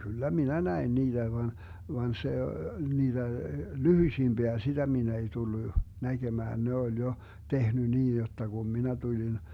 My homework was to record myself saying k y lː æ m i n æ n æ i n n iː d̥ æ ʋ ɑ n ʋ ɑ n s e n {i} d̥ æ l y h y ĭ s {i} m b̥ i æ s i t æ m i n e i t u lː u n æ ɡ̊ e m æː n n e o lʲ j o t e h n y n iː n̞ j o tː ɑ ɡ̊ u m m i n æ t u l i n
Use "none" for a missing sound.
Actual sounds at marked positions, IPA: iː, i

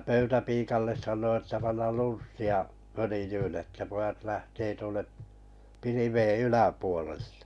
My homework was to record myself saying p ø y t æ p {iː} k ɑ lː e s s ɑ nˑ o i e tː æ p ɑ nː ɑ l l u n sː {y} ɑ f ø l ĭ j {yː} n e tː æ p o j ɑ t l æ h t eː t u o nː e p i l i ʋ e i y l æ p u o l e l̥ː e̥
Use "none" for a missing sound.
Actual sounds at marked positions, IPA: iː, i, yː

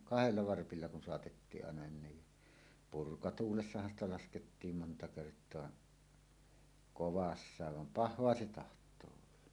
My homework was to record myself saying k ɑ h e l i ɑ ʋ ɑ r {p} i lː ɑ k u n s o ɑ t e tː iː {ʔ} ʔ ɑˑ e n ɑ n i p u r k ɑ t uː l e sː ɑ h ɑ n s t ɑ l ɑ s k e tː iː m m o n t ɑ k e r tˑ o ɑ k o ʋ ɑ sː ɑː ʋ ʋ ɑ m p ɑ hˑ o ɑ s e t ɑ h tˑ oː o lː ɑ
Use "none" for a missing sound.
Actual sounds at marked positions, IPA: p, ʔ

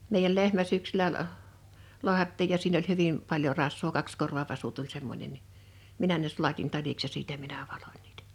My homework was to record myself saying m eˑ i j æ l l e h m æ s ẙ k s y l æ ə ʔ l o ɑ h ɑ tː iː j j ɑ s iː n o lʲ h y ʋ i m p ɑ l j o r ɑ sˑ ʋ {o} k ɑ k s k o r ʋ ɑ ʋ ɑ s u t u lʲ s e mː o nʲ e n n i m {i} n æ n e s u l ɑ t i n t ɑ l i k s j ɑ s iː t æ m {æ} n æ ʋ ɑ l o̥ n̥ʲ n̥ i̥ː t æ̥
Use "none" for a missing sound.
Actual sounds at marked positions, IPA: oː, i, i

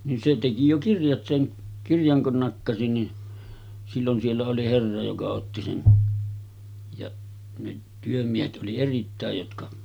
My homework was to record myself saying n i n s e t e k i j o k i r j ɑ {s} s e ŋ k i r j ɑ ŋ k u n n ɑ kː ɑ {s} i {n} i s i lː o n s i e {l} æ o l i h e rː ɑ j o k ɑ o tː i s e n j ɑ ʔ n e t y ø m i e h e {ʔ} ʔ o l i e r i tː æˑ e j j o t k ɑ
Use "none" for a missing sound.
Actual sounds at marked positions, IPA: t, s, n, lː, t

